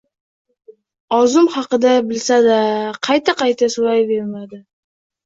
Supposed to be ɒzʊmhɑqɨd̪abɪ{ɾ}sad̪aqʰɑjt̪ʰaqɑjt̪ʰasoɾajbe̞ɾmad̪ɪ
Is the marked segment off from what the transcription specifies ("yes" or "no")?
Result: yes